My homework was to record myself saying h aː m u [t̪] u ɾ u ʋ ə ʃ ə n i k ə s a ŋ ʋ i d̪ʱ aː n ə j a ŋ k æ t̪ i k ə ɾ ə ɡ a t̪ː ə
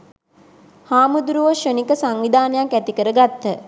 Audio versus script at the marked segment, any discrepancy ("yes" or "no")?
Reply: yes